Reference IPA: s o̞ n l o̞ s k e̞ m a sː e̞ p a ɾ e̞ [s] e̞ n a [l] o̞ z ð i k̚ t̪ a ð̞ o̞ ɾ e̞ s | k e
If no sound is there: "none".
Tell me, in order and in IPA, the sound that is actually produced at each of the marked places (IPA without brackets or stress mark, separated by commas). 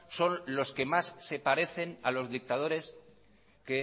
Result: θ, l